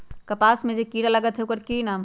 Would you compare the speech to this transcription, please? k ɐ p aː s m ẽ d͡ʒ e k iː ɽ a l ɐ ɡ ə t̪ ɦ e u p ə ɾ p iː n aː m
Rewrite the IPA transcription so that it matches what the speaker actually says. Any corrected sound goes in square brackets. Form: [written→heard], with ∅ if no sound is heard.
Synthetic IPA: k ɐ p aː s m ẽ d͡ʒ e k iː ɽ a l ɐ ɡ ə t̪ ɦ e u [p→k] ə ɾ [p→k] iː n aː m